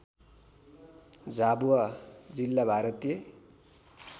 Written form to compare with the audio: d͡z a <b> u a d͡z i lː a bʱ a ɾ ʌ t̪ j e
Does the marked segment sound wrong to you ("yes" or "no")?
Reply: no